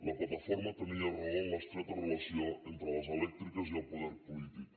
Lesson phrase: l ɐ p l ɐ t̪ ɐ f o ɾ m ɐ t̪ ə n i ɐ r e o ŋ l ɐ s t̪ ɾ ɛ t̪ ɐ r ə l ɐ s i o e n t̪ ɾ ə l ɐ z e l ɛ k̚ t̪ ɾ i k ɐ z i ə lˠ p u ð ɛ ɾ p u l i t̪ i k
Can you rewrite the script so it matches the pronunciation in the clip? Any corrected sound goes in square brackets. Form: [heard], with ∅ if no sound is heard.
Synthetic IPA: l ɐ p l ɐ t̪ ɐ f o ɾ m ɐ t̪ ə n i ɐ r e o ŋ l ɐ s t̪ ɾ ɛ t̪ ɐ r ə l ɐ s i o e n t̪ ɾ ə l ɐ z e l ɛ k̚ t̪ ɾ i k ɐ z i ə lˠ p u ð ɛ ɾ p u l i t̪ i k